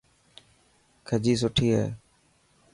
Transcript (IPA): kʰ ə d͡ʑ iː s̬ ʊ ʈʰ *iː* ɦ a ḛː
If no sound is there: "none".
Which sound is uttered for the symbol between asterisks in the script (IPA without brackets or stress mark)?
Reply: iː